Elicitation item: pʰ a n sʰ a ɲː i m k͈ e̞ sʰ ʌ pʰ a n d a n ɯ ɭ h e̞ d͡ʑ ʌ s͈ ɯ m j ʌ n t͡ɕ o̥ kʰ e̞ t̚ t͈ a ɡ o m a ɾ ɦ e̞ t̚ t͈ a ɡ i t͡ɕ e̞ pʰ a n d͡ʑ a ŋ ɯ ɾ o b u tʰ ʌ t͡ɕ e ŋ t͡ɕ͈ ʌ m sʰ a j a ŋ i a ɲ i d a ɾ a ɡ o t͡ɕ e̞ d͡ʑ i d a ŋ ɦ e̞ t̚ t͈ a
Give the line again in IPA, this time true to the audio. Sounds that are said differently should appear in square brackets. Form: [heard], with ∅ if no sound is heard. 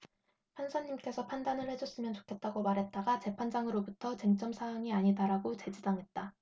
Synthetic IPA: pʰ a n sʰ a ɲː i m k͈ e̞ sʰ ʌ pʰ a n d a n ɯ ɭ h e̞ d͡ʑ ʌ s͈ ɯ m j ʌ n t͡ɕ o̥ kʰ e̞ t̚ t͈ a ɡ o m a ɾ ɦ e̞ t̚ t͈ a ɡ [a] t͡ɕ e̞ pʰ a n d͡ʑ a ŋ ɯ ɾ o b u tʰ ʌ t͡ɕ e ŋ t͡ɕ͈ ʌ m sʰ a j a ŋ i a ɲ i d a ɾ a ɡ o t͡ɕ e̞ d͡ʑ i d a ŋ ɦ e̞ t̚ t͈ a